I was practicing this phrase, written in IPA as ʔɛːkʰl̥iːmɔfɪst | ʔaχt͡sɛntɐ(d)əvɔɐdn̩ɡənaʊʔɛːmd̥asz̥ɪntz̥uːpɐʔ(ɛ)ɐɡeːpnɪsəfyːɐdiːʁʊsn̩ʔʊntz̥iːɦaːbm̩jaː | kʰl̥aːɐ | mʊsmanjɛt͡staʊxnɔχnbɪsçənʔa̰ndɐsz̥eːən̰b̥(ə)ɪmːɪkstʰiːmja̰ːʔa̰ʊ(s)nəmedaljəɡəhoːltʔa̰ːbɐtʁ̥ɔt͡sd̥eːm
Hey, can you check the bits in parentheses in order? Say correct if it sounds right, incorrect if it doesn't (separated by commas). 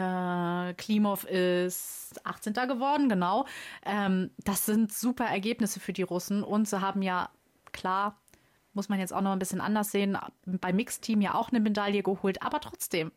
incorrect, correct, incorrect, incorrect